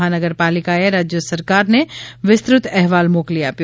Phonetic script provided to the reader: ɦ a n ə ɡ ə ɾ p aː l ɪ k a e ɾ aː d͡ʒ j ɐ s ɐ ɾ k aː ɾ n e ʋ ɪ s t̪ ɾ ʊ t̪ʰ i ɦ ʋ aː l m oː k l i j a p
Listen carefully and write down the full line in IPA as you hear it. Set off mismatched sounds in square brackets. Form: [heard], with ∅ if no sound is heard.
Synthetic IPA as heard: ɦ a n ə ɡ ə ɾ p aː l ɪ k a e ɾ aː d͡ʒ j [ə] s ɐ ɾ k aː ɾ n e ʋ ɪ s t̪ ɾ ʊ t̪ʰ [ɛ] ɦ ʋ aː l m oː k l i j a p